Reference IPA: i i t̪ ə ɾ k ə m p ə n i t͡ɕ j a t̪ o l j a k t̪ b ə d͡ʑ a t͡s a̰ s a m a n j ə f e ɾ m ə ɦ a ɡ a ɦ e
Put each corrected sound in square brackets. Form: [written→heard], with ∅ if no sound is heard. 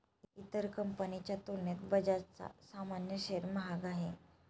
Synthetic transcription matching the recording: i i t̪ ə ɾ k ə m p ə n i t͡ɕ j a t̪ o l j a [k→∅] t̪ b ə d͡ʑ a t͡s a̰ s a m a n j ə [f→ɕ] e ɾ m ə ɦ a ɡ a ɦ e